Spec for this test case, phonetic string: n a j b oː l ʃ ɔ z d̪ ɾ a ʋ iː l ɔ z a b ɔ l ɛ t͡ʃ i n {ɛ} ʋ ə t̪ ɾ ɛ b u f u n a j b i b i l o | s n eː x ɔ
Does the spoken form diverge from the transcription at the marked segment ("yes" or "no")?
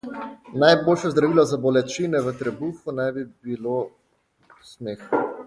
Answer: no